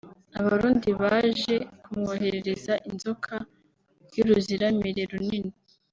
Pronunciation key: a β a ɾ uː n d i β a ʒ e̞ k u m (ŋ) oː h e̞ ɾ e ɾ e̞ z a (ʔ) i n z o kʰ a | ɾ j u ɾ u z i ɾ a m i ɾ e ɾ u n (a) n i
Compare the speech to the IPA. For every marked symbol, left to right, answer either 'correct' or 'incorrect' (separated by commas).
correct, correct, incorrect